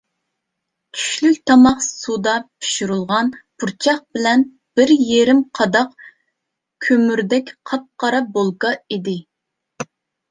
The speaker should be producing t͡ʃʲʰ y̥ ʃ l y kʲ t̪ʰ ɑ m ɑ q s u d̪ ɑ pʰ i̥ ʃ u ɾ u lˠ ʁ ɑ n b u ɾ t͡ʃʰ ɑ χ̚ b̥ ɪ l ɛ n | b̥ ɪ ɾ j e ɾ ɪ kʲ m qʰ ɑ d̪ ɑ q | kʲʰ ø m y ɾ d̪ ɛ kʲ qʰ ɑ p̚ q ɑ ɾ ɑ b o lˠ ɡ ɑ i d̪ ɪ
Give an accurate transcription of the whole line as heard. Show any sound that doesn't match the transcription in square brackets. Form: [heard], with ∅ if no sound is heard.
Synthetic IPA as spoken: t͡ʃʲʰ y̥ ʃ l y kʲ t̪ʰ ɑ m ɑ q s u d̪ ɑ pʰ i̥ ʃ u ɾ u lˠ ʁ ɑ n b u ɾ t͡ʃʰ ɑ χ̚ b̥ ɪ l ɛ n | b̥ ɪ ɾ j e ɾ ɪ [∅] m qʰ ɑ d̪ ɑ q | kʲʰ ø m y ɾ d̪ ɛ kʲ qʰ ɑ p̚ q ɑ ɾ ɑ b o lˠ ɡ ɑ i d̪ ɪ

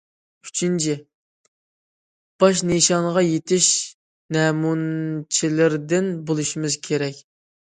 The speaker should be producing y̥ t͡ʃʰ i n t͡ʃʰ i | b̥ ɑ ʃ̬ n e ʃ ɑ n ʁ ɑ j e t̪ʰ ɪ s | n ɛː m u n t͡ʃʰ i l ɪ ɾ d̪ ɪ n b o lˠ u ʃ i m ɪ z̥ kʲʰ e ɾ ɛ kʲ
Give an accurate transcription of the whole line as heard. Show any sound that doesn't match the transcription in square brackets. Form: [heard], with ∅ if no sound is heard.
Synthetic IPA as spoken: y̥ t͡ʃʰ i n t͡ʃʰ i | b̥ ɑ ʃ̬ n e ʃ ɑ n ʁ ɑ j e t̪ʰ ɪ [ʃ] | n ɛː m u n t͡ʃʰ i l ɪ ɾ d̪ ɪ n b o lˠ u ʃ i m ɪ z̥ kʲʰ e ɾ ɛ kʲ

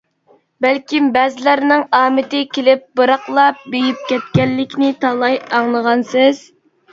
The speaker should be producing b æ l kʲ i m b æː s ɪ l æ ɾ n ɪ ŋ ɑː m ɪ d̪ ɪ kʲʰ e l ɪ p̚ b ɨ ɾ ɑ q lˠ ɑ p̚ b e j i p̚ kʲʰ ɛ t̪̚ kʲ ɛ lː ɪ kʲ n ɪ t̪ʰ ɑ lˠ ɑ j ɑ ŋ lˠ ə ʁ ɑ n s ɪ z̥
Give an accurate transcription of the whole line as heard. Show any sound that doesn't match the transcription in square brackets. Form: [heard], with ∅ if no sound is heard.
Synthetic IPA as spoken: b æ l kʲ i m b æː [z] ɪ l æ ɾ n ɪ ŋ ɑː m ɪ [t̪] ɪ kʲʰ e l ɪ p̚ b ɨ ɾ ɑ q lˠ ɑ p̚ b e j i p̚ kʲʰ ɛ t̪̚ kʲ ɛ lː ɪ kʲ n ɪ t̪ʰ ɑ lˠ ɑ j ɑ ŋ lˠ ə ʁ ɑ n s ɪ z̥

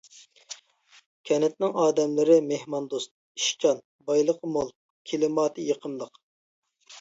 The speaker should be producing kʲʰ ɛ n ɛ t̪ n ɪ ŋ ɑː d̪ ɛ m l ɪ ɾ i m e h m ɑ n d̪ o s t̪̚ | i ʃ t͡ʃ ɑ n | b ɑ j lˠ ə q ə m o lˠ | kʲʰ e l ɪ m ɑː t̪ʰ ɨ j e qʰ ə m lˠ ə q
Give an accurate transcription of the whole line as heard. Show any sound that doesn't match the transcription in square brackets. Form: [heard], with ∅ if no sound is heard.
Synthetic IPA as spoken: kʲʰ ɛ n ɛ t̪ n ɪ ŋ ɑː d̪ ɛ m l ɪ ɾ [ɪ] m e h m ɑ n d̪ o s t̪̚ | i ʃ t͡ʃ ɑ n | b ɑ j lˠ ə q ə m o lˠ | kʲʰ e l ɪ m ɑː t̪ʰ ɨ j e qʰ ə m lˠ ə q

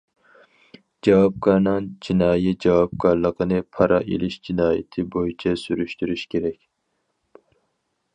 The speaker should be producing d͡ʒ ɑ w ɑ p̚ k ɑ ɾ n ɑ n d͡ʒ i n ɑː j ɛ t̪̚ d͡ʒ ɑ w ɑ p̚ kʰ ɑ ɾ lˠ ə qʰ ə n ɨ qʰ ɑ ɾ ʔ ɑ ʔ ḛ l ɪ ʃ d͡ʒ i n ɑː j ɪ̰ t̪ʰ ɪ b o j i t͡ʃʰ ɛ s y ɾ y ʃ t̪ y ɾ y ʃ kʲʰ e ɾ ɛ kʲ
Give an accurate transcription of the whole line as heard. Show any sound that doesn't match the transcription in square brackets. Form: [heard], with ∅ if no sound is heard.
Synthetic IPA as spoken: d͡ʒ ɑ w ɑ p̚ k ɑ ɾ n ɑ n d͡ʒ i n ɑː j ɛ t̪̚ d͡ʒ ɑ w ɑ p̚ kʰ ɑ ɾ lˠ ə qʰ ə n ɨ [pʰ] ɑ ɾ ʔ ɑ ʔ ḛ l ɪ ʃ d͡ʒ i n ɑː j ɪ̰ t̪ʰ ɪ b o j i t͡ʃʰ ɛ s y ɾ y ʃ t̪ y ɾ y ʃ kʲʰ e ɾ ɛ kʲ

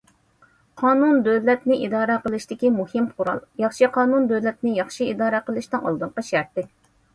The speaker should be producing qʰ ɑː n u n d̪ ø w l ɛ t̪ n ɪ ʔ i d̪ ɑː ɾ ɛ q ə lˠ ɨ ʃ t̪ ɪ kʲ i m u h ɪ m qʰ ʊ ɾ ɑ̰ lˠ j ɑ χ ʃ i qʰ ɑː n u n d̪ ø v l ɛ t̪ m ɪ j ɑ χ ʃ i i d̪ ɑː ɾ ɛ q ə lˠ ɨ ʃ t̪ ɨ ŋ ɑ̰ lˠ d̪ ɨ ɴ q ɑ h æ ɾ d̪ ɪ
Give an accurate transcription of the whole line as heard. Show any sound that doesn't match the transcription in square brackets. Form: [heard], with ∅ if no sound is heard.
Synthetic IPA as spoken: qʰ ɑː n u n d̪ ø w l ɛ t̪ n ɪ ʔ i d̪ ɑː ɾ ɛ q ə lˠ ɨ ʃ t̪ ɪ kʲ i m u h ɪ m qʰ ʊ ɾ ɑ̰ lˠ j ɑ χ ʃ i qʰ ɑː n u n d̪ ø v l ɛ t̪ [n] ɪ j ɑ χ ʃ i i d̪ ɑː ɾ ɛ q ə lˠ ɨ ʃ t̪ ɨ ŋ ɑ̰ lˠ d̪ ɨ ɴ q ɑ [ʃ] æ ɾ [t̪] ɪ

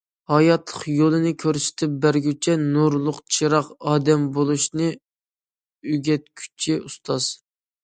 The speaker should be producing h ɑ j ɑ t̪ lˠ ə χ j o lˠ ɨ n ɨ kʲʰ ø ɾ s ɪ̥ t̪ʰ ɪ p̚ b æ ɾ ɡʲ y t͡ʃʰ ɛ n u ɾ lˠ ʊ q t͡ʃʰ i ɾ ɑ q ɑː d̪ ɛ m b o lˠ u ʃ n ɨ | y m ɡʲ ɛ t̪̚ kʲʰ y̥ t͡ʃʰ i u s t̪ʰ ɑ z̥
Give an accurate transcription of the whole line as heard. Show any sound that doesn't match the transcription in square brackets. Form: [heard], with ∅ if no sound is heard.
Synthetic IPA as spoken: h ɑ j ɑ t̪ lˠ ə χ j o lˠ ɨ n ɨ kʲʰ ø ɾ s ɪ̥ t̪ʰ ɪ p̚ b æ ɾ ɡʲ y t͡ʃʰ ɛ n u ɾ lˠ ʊ q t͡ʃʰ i ɾ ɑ q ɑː d̪ ɛ m b o lˠ u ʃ n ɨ | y [∅] ɡʲ ɛ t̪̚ kʲʰ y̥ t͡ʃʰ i u s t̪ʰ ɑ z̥

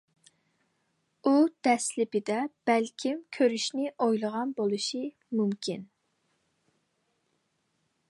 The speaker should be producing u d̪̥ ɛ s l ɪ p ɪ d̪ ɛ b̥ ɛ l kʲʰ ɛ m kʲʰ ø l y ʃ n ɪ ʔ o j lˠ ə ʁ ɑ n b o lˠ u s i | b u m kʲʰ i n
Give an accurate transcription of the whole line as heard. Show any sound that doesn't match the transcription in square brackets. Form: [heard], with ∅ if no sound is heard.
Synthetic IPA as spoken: u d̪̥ ɛ s l ɪ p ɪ d̪ ɛ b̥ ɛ l kʲʰ [i] m kʲʰ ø [ɾ] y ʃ n ɪ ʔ o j lˠ ə ʁ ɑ n b o lˠ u [ʃ] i | [m] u m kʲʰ i n

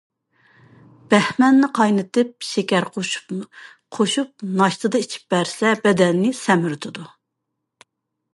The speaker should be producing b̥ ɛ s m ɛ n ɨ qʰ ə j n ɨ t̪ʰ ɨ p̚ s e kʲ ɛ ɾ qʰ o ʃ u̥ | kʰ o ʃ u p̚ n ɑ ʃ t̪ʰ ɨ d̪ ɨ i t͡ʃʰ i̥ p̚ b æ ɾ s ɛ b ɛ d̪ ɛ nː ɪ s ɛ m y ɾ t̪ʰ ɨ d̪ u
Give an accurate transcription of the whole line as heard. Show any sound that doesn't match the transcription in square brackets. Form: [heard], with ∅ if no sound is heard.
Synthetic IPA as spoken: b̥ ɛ [h] m ɛ [nː] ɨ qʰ [ɑ] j n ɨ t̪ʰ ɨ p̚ [ʃ] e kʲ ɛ ɾ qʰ o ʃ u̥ | [qʰ] o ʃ u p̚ n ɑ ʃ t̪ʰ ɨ d̪ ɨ i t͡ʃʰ i̥ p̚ b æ ɾ s ɛ b ɛ d̪ ɛ nː ɪ s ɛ m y ɾ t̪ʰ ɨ d̪ u

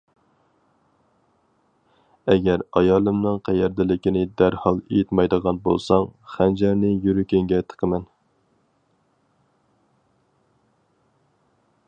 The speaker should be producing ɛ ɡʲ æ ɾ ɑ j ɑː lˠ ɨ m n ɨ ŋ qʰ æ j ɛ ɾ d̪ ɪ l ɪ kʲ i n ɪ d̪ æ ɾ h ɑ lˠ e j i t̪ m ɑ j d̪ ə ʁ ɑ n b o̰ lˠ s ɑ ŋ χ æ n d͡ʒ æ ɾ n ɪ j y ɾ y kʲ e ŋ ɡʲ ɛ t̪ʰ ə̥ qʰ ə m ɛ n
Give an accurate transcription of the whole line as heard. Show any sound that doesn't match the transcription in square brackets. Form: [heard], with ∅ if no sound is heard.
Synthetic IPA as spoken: ɛ ɡʲ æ ɾ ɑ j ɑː lˠ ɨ m n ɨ ŋ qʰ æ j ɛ ɾ d̪ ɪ l ɪ kʲ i n ɪ d̪ æ ɾ h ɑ lˠ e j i t̪ m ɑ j d̪ ə ʁ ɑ n b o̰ lˠ s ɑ ŋ χ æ n d͡ʒ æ ɾ n ɪ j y ɾ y kʲ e ŋ ɡʲ ɛ t̪ʰ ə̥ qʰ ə m ɛ n

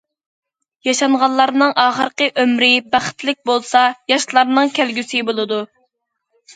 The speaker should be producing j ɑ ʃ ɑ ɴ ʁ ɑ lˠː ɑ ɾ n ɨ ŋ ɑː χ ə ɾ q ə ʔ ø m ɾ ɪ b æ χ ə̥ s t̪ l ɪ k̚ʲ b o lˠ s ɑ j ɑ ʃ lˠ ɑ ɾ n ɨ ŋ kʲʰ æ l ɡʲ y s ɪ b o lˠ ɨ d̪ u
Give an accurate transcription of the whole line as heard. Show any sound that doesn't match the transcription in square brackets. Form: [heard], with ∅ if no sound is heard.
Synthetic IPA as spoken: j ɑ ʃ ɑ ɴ ʁ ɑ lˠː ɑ ɾ n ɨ ŋ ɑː χ ə ɾ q ə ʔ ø m ɾ ɪ b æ χ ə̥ [∅] t̪ l ɪ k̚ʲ b o lˠ s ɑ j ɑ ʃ lˠ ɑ ɾ n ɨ ŋ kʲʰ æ l ɡʲ y s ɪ b o lˠ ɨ d̪ u

